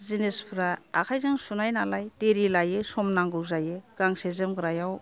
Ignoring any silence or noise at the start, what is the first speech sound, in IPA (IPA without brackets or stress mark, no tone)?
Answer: z